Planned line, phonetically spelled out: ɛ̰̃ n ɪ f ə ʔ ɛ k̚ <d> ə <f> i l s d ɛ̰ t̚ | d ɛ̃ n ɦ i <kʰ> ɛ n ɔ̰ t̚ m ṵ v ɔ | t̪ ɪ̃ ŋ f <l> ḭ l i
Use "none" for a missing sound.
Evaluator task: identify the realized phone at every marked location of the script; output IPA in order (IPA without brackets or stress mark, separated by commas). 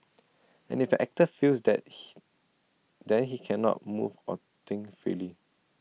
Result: t, f, kʰ, ɹ